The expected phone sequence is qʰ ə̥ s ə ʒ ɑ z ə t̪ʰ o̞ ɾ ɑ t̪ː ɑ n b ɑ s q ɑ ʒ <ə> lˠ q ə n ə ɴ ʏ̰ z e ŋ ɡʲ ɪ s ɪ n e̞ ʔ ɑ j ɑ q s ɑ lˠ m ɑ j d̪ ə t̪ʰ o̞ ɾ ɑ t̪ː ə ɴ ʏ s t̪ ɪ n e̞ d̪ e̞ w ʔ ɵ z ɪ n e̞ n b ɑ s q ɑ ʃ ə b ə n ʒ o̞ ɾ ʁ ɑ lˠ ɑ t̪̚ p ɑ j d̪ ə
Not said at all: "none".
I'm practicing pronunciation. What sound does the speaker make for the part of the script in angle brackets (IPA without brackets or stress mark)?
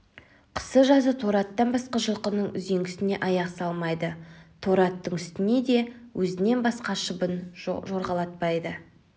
ə